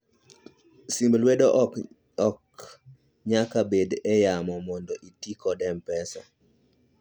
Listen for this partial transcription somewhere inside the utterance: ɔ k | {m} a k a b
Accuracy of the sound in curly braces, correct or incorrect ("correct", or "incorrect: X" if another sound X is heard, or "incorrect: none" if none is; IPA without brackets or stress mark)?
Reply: incorrect: ɲ